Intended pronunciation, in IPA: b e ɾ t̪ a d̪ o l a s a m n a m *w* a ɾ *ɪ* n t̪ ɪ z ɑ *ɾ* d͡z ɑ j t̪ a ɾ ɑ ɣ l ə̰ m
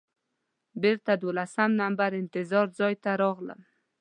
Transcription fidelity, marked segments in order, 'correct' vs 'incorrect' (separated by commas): incorrect, correct, correct